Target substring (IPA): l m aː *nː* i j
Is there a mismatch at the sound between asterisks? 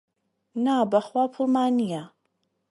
yes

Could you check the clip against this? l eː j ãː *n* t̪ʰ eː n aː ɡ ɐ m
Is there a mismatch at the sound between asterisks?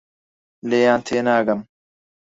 no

